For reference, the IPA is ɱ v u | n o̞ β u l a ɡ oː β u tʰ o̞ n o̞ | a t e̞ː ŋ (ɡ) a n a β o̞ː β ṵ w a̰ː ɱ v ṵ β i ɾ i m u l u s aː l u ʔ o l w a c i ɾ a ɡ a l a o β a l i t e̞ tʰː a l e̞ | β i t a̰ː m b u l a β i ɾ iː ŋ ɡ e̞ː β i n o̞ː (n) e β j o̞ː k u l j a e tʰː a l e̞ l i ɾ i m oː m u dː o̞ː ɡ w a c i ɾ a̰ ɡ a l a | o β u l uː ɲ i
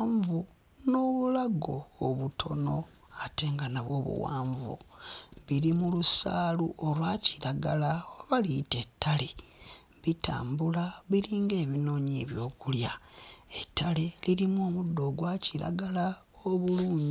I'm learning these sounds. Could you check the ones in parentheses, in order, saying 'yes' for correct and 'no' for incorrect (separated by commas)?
yes, no